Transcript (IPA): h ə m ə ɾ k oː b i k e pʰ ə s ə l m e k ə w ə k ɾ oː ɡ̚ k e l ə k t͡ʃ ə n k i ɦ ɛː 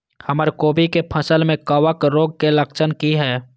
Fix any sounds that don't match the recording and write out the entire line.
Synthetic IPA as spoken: h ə m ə ɾ k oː b i k e pʰ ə s ə l m ẽ k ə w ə k ɾ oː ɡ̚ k e l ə k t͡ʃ ə n k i ɦ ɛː

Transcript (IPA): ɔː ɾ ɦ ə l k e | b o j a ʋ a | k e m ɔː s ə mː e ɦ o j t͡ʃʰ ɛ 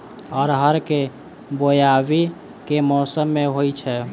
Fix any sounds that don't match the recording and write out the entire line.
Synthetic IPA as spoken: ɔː ɾ ɦ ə ɾ k e | b o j a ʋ i | k e m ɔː s ə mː e ɦ o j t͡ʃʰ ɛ

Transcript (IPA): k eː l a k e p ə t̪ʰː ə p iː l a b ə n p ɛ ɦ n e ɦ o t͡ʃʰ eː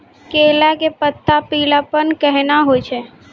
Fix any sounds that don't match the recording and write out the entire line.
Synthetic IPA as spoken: k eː l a k e p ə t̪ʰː a p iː l a p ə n k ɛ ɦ n a ɦ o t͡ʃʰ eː

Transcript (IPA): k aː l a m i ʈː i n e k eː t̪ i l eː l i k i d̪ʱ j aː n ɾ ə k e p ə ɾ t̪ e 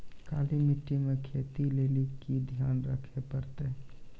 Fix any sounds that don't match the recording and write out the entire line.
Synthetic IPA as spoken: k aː l i m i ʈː i m e kʰ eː t̪ i l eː l i k i d̪ʱ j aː n ɾ ə kʰ e p ə ɾ t̪ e

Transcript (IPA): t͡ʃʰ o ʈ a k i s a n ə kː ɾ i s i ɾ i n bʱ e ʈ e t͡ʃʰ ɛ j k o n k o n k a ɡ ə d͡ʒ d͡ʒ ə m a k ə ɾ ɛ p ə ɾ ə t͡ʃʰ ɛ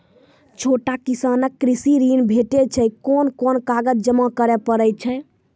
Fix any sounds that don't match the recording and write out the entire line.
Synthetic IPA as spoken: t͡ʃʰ o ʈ a k i s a n ə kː ɾ i s i ɾ i n bʱ e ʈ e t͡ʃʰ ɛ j k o n k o n k a ɡ ə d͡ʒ d͡ʒ ə m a k ə ɾ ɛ p ə ɾ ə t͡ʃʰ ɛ

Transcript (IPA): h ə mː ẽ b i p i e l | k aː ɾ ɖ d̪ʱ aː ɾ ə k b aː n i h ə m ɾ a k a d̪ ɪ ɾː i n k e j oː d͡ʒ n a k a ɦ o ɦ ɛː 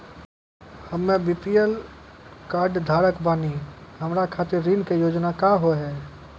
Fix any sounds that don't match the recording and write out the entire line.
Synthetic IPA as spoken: h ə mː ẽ b i p i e l | k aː ɾ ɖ d̪ʱ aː ɾ ə k b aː n i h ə m ɾ a kʰ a t̪ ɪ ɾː i n k e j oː d͡ʒ n a k a ɦ o ɦ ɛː

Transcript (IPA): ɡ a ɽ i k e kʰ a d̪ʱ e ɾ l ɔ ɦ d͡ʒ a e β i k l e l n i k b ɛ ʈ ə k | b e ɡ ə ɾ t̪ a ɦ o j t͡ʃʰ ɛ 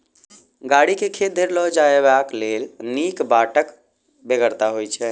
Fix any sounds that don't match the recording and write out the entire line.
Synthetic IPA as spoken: ɡ a ɽ i k e kʰ e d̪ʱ e ɾ l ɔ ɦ d͡ʒ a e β a k l e l n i k b a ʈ ə k | b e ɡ ə ɾ t̪ a ɦ o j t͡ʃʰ ɛ

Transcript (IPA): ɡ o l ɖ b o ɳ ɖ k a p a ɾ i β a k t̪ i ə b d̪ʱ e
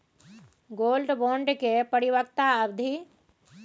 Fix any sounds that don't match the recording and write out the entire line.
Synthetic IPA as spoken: ɡ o l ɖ b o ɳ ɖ k e p ə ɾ i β ə k t̪ a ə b d̪ʱ i

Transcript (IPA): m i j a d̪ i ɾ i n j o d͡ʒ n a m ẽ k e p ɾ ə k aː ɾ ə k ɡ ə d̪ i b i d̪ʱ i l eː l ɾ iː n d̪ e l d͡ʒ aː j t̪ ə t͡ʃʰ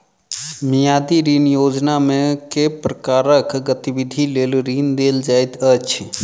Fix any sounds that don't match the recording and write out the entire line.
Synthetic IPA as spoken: m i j a d̪ i ɾ i n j o d͡ʒ n a m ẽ k e p ɾ ə k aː ɾ ə k ɡ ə t̪ i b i d̪ʱ i l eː l ɾ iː n d̪ e l d͡ʒ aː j t̪ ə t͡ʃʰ

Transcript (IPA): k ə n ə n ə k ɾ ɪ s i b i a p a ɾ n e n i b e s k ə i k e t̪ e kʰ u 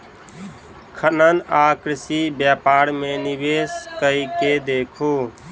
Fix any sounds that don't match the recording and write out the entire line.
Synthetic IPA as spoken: kʰ ə n ə n a k ɾ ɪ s i b j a p a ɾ m e n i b e s k ə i k e d̪ e kʰ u

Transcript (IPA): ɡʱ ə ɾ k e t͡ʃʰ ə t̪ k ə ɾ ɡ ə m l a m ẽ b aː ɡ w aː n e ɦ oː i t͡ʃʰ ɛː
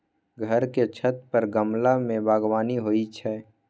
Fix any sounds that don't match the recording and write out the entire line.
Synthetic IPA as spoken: ɡʱ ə ɾ k e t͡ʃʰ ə t̪ p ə ɾ ɡ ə m l a m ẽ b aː ɡ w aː n i ɦ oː i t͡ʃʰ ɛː

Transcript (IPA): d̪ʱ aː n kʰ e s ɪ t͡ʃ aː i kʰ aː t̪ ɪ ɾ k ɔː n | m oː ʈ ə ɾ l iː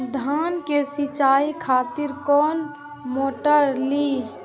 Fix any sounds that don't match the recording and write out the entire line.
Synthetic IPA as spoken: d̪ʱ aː n k e s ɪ t͡ʃ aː i kʰ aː t̪ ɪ ɾ k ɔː n | m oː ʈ ə ɾ l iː

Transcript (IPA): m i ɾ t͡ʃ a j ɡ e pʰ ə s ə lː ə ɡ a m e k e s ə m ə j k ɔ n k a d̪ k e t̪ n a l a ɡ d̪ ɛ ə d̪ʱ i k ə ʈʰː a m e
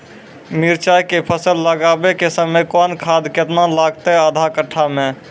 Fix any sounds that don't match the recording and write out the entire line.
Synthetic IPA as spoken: m i ɾ t͡ʃ a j k e pʰ ə s ə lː ə ɡ a b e k e s ə m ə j k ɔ n kʰ a d̪ k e t̪ n a l a ɡ t̪ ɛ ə d̪ʱ a k ə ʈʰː a m e

